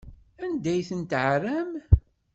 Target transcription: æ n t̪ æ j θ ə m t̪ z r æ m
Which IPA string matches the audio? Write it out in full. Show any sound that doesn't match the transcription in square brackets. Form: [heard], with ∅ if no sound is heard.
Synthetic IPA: æ n [d̪] æ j θ ə [n] t̪ [ʕ] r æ m